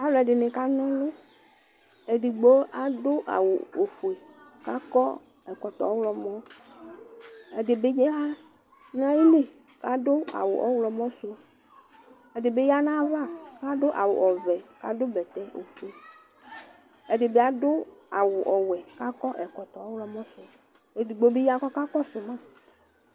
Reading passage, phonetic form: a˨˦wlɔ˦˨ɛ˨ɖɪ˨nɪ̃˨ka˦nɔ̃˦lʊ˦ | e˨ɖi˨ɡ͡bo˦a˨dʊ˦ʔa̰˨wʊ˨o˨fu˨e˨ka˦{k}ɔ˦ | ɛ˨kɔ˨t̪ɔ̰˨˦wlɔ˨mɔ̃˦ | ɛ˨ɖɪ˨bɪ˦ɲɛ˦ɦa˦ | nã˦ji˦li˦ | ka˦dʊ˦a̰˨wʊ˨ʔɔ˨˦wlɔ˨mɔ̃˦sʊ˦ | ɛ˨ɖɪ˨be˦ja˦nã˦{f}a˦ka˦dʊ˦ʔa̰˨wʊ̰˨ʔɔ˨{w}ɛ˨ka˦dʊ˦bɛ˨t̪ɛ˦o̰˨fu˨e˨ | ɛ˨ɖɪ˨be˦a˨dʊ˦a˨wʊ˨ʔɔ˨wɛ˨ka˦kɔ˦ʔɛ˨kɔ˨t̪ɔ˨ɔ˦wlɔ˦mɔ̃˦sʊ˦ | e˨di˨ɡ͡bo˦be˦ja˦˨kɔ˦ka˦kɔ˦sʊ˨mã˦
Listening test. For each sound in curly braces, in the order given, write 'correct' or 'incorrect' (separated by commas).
correct, incorrect, incorrect